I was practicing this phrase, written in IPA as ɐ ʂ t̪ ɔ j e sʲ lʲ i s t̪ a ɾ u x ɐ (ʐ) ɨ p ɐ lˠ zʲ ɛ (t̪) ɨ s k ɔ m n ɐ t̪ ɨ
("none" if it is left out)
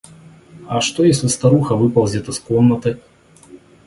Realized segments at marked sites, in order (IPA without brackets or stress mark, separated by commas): v, t̪